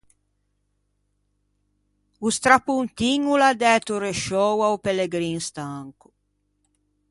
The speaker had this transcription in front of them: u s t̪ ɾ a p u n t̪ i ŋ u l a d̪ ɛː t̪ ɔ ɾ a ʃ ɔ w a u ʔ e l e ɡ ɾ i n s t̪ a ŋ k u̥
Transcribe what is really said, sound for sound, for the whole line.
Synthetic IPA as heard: u s t̪ ɾ a p u n t̪ i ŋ u l a d̪ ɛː t̪ u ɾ e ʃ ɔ w a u p e l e ɡ ɾ i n s t̪ a ŋ k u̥

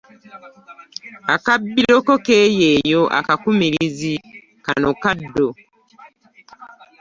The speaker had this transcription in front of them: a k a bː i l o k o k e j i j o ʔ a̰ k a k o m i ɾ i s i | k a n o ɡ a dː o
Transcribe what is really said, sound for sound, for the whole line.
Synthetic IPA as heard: a k a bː i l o k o k e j e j o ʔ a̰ k a k u m i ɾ i z i | k a n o k a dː o

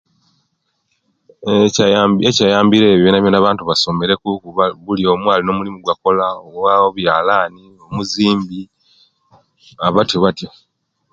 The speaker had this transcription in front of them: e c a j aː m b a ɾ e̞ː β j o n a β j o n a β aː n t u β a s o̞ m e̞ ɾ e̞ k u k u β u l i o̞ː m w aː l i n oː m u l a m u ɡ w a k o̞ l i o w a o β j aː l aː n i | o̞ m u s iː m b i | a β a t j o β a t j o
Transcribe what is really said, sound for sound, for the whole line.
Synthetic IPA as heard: e c a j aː m b i ɾ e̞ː β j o n a β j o n a β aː n t u β a s o̞ m e̞ ɾ e̞ k u k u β u l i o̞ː m w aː l i n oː m u l i m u ɡ w a k o̞ l a o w a o β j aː l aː n i | o̞ m u z iː m b i | a β a t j o β a t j o

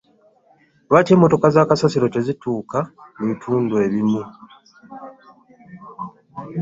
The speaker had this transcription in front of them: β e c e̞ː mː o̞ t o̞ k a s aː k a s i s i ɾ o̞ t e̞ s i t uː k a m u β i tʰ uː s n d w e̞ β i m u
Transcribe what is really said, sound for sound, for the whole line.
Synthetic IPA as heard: β a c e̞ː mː o̞ t o̞ k a z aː k a s a s i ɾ o̞ t e̞ z i t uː k a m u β i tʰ uː n d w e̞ β i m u

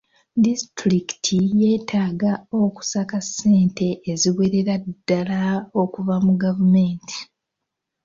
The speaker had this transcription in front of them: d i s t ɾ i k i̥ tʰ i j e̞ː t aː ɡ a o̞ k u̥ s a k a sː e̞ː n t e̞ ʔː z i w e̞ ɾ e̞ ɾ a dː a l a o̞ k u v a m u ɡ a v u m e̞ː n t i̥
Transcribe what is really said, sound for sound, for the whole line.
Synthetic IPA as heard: d i s t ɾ i k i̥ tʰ i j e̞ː t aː ɡ a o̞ k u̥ s a k a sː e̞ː n t e̞ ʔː z i w e̞ ɾ e̞ ɾ a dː a l a o̞ k u v a m u ɡ a v u m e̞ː n t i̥

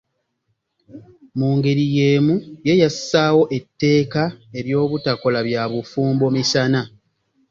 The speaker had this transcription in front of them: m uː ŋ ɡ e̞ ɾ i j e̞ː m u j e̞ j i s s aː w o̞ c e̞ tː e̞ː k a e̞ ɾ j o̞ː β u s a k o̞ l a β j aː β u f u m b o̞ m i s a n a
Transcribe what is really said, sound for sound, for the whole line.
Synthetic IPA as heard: m uː ŋ ɡ e̞ ɾ i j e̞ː m u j e̞ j a s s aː w o̞ ʔ e̞ tː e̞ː k a e̞ ɾ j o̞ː β u t a k o̞ l a β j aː β u f uː m b o̞ m i s a n a

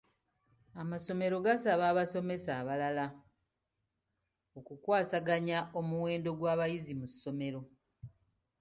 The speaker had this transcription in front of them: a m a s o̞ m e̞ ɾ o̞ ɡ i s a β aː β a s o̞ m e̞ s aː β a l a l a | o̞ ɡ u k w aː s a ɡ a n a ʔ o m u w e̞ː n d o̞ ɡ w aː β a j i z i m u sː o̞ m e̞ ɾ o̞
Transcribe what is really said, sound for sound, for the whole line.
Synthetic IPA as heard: a m a s o̞ m e̞ ɾ o̞ ɡ a s a β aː β a s o̞ m e̞ s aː β a l a l a | o̞ k u k w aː s a ɡ a ɲ a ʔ o m u w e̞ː n d o̞ ɡ w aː β a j i z i m u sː o̞ m e̞ ɾ o̞

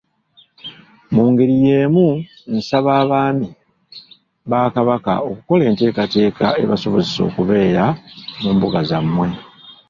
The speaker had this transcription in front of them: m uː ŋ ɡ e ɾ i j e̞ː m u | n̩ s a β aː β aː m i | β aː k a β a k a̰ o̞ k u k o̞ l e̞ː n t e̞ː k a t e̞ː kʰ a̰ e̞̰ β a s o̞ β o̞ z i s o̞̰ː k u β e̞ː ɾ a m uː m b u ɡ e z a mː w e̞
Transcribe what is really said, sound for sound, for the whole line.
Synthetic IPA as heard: m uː ŋ ɡ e ɾ i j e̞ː m u | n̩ s a β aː β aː m i | β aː k a β a k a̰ o̞ k u k o̞ l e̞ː n t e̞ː k a t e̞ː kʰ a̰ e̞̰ β a s o̞ β o̞ z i s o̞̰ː k u β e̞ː ɾ a m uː m b u ɡ a z a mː w e̞

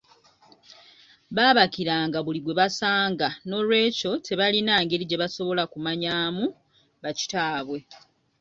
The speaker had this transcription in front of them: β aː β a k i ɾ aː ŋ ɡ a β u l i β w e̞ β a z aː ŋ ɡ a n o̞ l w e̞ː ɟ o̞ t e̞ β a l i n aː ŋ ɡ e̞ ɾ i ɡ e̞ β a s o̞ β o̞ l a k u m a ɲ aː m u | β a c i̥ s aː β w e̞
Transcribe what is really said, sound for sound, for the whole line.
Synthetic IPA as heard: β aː β a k i ɾ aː ŋ ɡ a β u l i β w e̞ β a s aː ŋ ɡ a n o̞ l w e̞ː c o̞ t e̞ β a l i n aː ŋ ɡ e̞ ɾ i ɟ e̞ β a s o̞ β o̞ l a k u m a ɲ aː m u | β a c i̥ t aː β w e̞

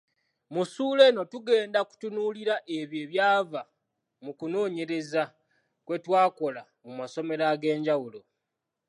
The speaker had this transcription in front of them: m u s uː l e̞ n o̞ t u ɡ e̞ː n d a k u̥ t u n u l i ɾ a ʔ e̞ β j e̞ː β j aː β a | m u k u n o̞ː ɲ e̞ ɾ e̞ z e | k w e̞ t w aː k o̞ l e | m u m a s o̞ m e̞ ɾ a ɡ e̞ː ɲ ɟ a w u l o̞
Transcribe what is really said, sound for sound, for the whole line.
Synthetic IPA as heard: m u s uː l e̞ n o̞ t u ɡ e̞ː n d a k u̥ t u n u l i ɾ a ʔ e̞ β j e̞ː β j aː v a | m u k u n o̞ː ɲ e̞ ɾ e̞ z a | k w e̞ t w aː k o̞ l a | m u m a s o̞ m e̞ ɾ a ɡ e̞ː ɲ ɟ a w u l o̞

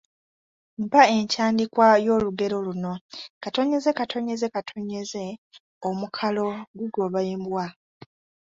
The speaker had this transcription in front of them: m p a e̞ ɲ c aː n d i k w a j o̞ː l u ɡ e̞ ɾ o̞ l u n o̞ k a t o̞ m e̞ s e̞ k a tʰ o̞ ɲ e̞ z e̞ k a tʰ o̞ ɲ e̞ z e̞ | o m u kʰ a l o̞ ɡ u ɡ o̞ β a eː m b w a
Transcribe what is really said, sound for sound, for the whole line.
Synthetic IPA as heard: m p a e̞ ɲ c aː n d i k w a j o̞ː l u ɡ e̞ ɾ o̞ l u n o̞ k a t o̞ ɲ e̞ z e̞ k a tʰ o̞ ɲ e̞ z e̞ k a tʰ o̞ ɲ e̞ z e̞ | o m u kʰ a l o̞ ɡ u ɡ o̞ β a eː m b w a

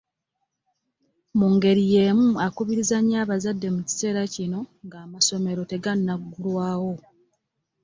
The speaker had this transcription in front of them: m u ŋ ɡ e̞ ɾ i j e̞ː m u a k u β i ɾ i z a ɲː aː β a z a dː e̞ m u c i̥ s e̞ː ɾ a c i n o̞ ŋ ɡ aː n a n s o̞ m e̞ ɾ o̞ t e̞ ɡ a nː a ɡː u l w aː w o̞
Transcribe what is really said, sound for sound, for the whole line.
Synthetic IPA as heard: m u ŋ ɡ e̞ ɾ i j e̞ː m u a k u β i ɾ i z a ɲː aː β a z a dː e̞ m u c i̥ s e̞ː ɾ a c i n o̞ ŋ ɡ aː m a s o̞ m e̞ ɾ o̞ t e̞ ɡ a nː a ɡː u l w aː w o̞

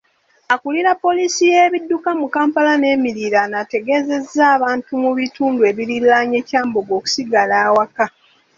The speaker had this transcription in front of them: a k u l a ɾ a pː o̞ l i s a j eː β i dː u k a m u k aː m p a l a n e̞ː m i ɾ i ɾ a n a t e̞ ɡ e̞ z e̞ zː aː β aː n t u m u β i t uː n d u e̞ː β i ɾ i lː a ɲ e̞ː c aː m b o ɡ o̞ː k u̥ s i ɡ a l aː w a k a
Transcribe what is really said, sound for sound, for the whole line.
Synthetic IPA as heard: a k u l i ɾ a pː o̞ l i s i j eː β i dː u k a m u k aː m p a l a n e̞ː m i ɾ i ɾ a n a t e̞ ɡ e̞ z e̞ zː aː β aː n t u m u β i t uː n d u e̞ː β i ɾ i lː a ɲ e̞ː c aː m b o ɡ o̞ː k u̥ s i ɡ a l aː w a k a

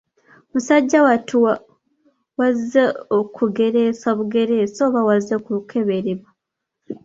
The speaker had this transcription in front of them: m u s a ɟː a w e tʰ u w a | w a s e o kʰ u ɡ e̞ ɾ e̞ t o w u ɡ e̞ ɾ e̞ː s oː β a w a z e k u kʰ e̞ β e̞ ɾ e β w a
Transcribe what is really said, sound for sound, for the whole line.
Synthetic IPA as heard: m u s a ɟː a w a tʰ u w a | w a z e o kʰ u ɡ e̞ ɾ e̞ s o β u ɡ e̞ ɾ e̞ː s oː β a w a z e k u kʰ e̞ β e̞ ɾ e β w a

